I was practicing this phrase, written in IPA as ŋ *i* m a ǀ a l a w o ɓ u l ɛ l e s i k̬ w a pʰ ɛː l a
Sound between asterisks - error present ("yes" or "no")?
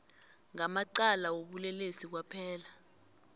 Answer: yes